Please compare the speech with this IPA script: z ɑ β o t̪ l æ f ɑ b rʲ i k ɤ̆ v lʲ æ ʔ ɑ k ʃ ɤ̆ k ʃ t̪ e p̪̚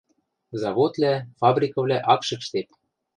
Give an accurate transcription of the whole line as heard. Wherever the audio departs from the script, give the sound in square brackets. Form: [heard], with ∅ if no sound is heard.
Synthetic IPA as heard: z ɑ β o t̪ l æ f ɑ b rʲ i k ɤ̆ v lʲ æ ʔ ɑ k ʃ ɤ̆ k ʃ t̪ e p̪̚